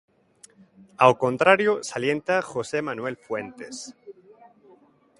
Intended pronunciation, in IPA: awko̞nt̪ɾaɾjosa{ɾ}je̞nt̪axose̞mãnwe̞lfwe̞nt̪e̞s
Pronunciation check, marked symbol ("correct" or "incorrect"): incorrect